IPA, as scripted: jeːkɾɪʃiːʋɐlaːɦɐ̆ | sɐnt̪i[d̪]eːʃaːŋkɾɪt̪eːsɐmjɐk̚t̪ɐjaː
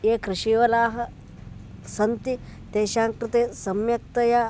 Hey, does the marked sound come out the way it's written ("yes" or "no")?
no